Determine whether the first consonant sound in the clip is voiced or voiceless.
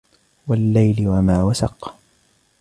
voiced